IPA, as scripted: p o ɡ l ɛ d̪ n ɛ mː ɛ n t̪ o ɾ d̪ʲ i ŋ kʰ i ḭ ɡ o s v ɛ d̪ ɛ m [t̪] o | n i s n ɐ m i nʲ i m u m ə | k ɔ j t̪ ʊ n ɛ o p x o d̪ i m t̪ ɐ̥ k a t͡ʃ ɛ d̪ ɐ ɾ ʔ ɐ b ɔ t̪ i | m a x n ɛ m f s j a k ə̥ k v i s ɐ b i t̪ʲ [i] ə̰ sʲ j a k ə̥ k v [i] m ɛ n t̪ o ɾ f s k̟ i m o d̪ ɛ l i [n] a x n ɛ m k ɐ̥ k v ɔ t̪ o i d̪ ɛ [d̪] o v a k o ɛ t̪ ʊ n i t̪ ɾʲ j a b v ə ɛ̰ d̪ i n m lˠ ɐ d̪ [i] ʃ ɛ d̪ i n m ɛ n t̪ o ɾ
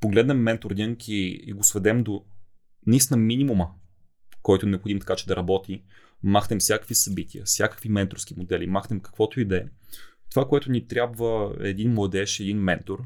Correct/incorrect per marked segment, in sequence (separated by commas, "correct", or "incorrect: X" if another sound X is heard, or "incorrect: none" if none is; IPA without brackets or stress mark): incorrect: d̪, correct, correct, incorrect: m, incorrect: t̪, incorrect: ɛ